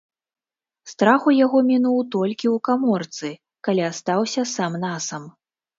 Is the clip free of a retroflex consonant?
yes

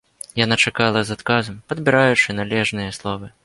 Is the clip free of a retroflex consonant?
no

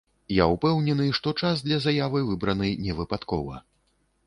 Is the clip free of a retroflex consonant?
no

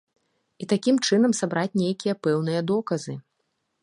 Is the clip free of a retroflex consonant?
no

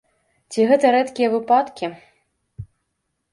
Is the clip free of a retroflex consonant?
yes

